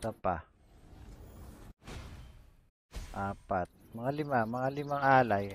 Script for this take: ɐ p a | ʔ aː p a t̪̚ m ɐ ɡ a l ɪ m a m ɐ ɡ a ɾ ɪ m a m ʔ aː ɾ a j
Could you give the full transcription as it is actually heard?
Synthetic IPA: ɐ p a | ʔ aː p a t̪̚ m ɐ ŋ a l ɪ m a m ɐ ŋ a l ɪ m a ŋ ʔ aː l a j